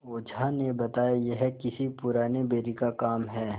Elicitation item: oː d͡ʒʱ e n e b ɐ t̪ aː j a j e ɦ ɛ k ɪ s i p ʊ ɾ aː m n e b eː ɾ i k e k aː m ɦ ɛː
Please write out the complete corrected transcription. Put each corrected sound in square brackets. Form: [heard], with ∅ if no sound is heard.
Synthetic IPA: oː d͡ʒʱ [a] n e b ɐ t̪ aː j a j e ɦ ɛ k ɪ s i p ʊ ɾ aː [∅] n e b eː ɾ i k [a] k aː m ɦ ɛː